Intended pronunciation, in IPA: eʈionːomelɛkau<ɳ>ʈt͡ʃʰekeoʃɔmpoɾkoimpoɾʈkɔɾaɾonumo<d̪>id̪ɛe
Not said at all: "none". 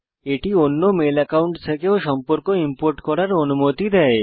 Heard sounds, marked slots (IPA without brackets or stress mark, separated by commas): ɳ, t̪